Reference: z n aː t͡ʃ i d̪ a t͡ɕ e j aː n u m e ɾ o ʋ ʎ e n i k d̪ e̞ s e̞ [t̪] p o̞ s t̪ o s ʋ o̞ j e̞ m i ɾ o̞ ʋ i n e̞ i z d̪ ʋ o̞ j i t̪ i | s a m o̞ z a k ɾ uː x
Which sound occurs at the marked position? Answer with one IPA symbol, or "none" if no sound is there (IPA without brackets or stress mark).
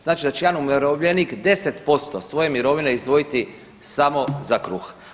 t̪